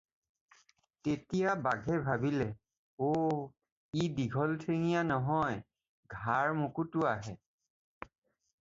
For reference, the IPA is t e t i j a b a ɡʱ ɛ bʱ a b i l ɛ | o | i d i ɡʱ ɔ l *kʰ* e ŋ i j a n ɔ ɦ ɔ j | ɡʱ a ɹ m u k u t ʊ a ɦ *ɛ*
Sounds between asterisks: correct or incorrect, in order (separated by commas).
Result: incorrect, correct